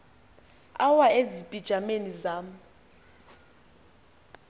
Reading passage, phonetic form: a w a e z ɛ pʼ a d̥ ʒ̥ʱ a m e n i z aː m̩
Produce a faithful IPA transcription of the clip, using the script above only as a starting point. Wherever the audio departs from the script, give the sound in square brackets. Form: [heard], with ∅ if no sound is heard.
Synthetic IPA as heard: a w a e z [i] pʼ [i] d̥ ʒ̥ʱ a m e n i z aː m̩